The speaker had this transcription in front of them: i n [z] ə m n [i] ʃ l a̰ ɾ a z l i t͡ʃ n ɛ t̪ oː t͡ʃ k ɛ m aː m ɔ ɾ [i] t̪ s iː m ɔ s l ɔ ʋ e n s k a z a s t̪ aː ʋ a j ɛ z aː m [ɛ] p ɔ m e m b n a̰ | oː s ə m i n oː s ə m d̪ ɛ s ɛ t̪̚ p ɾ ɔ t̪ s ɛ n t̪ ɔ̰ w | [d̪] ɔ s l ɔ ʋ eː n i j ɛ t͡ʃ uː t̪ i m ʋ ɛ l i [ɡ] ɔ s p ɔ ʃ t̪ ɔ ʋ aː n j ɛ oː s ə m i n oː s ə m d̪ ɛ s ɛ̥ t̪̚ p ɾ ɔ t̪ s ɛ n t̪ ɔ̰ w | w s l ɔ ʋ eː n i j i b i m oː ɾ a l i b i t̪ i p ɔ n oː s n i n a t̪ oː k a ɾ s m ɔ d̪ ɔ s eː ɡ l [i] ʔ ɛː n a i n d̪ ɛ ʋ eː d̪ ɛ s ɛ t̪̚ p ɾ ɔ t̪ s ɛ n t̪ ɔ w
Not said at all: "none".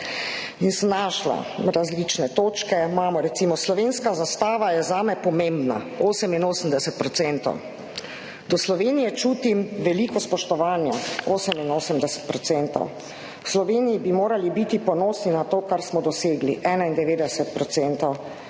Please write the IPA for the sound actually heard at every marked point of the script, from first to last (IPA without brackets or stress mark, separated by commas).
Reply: s, a, ɛ, ɛ, d̪, k, i